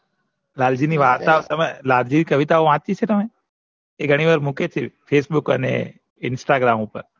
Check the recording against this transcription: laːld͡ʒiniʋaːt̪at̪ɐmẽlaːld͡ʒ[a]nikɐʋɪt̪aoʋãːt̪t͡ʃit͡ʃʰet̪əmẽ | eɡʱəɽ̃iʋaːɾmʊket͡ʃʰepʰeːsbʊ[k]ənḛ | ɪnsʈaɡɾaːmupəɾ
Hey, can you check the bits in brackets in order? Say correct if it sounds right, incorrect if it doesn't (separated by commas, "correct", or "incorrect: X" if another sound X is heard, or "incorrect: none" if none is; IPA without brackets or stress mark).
incorrect: i, correct